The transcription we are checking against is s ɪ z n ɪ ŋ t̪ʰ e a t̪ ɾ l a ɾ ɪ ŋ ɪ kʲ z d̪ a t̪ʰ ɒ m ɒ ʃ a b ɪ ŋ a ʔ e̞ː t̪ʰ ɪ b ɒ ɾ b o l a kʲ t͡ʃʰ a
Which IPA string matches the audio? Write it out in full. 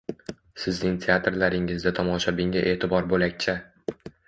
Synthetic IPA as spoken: s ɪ z n ɪ ŋ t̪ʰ e a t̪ ɾ l a ɾ ɪ ŋ ɪ z d̪ a t̪ʰ ɒ m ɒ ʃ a b ɪ ŋ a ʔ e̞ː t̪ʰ ɪ b ɒ ɾ b o l a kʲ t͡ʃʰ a